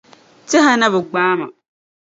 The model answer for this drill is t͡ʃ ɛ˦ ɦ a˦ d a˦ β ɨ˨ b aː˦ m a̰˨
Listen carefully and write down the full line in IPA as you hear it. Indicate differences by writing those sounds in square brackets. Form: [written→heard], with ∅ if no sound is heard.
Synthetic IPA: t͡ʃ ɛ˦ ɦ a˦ [d→n] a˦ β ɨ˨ [b→ɡ͡b] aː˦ m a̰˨

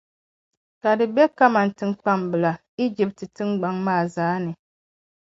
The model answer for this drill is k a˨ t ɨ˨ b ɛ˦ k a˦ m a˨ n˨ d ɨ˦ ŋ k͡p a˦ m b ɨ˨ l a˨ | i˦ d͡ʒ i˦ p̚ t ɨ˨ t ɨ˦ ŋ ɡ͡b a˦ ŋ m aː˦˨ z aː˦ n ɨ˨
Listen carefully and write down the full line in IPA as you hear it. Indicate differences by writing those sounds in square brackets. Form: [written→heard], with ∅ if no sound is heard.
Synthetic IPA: k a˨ [t→d] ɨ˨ b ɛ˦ k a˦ m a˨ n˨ [d→t] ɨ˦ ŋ k͡p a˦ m b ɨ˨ l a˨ | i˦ d͡ʒ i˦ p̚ t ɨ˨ t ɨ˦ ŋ ɡ͡b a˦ ŋ m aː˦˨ z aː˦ n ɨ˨

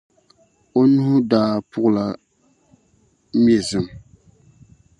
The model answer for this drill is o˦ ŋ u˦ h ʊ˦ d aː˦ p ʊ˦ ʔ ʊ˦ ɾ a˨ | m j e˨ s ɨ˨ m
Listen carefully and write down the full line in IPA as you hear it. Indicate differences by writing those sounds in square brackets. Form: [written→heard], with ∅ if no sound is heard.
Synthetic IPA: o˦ [ŋ→n] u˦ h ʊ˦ d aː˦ p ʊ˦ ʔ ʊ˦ [ɾ→l] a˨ | m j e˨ [s→z] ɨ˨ m

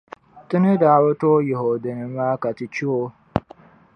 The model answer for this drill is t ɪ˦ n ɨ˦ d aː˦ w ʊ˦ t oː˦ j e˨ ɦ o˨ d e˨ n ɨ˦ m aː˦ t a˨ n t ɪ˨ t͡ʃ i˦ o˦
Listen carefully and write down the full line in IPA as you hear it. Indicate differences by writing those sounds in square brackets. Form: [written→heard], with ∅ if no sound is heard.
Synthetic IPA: t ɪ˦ n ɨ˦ d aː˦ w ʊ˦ t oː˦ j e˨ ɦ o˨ d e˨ n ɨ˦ m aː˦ [t→k] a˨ [n→∅] t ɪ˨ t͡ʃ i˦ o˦

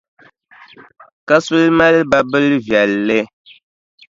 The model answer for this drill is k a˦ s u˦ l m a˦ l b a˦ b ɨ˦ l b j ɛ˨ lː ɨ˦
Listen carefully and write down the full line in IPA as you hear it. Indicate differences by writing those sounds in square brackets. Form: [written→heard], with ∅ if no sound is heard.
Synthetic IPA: k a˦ s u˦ l m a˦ l b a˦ b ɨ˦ l [b→v] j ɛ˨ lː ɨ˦

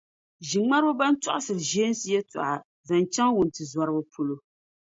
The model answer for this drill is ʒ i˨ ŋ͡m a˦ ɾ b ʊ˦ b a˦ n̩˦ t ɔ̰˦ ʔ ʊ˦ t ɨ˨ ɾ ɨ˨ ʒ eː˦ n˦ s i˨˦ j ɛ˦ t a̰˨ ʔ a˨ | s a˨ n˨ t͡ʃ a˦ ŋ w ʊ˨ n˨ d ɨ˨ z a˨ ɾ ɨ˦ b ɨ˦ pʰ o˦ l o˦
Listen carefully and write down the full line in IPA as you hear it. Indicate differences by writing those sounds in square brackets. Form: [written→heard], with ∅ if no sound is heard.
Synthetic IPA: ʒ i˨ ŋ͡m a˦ ɾ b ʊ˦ b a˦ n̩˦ t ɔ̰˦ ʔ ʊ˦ [t→s] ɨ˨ ɾ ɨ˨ ʒ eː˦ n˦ s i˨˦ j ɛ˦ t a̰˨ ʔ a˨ | [s→z] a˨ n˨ t͡ʃ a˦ ŋ w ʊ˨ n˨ [d→t] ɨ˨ z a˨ ɾ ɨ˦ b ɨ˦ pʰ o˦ l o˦

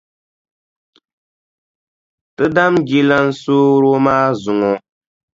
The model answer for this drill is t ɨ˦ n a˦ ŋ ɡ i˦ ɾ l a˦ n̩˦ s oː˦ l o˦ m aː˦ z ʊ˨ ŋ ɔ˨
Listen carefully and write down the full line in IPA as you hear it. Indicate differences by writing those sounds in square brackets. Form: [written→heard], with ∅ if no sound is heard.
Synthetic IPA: t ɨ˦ [n→d] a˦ [ŋ→m] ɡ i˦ [ɾ→∅] l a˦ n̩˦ s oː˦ [l→ɾ] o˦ m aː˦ z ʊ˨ ŋ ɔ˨

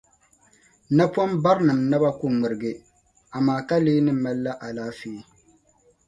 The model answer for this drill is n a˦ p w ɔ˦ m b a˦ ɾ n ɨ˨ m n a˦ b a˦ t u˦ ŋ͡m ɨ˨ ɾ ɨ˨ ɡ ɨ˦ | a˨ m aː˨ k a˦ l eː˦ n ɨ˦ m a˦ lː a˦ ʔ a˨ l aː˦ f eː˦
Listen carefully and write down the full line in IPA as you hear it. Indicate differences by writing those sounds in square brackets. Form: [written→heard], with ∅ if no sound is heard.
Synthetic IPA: n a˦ p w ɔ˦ m b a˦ ɾ n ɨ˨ m n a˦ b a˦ [t→k] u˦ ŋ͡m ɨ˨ ɾ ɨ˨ ɡ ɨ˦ | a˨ m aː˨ k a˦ l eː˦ n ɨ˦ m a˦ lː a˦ ʔ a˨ l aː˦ f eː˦

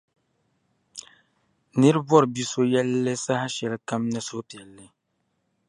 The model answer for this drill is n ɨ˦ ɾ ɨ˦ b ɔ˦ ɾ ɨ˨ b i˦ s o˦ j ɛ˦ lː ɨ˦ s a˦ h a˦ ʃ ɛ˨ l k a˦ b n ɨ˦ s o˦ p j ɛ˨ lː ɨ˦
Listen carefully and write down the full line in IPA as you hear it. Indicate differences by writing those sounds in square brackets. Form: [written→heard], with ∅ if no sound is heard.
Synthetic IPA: n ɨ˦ ɾ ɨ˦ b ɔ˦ ɾ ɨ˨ b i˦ s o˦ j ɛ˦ lː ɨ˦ s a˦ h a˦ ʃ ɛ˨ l k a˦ [b→m] n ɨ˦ s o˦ p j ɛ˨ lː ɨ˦

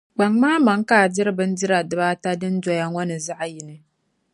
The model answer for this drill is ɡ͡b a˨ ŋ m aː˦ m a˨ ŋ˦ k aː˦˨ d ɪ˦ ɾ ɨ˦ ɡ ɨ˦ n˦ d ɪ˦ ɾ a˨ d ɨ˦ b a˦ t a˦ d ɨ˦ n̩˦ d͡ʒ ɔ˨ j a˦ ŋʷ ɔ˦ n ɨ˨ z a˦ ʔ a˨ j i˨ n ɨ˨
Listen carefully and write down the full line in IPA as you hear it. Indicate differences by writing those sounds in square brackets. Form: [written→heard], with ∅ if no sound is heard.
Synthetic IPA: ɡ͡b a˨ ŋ m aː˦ m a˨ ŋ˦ k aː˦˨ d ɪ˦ ɾ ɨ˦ [ɡ→b] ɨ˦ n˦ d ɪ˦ ɾ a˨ d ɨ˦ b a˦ t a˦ d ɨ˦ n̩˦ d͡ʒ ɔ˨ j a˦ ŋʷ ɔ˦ n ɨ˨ z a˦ ʔ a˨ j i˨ n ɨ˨

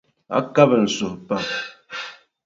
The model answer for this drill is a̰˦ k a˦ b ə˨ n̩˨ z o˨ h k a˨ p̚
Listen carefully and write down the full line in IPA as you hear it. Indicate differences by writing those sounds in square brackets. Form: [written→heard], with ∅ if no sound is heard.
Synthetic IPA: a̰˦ k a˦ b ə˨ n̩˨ [z→s] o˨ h [k→p] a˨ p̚

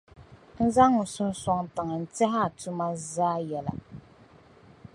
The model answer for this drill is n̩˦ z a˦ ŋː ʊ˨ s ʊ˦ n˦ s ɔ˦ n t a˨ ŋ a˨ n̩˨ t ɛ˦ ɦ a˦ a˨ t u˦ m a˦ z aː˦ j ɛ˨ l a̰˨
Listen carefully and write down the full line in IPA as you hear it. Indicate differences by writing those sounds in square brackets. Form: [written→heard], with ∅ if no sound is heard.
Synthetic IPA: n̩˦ z a˦ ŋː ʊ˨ s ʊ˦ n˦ s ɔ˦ [n→ŋ] t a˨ ŋ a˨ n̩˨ t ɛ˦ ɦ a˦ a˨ t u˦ m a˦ z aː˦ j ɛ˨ l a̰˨

